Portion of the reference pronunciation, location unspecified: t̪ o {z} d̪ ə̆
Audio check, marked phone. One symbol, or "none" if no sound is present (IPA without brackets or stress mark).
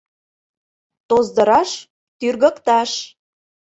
z